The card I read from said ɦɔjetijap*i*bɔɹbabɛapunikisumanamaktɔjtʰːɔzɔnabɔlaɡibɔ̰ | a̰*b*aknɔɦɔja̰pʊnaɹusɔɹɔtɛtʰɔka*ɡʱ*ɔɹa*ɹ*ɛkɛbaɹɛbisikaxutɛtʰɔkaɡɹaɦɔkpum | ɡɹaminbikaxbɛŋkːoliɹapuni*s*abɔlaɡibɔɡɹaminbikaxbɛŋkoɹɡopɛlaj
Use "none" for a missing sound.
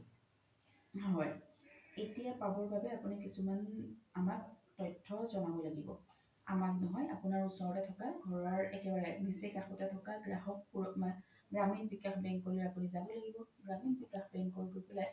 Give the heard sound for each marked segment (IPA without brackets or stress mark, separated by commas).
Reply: a, m, ɡʱ, ɹ, z